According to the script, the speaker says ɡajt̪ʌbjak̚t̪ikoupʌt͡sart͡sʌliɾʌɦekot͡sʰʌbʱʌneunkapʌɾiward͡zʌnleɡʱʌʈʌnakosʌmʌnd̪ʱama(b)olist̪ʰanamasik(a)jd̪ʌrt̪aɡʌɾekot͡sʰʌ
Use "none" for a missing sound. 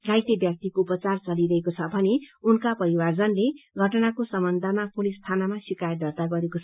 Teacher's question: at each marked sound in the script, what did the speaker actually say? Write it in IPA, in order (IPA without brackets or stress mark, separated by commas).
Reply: p, a